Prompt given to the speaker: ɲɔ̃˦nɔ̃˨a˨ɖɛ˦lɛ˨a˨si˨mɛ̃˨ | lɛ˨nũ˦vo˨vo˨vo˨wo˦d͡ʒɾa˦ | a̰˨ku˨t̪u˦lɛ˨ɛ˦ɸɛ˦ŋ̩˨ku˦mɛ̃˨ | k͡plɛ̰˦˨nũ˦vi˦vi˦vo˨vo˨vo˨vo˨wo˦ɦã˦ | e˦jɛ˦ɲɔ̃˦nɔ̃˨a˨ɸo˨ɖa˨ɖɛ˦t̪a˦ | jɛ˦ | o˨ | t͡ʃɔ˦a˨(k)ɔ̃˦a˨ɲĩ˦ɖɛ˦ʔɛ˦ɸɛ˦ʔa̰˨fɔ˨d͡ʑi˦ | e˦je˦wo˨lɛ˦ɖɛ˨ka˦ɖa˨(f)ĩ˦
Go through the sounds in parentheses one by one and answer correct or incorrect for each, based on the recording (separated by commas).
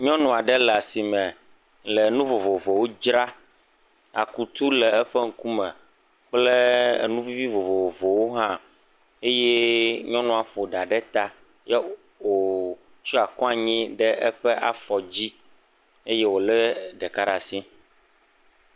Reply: correct, incorrect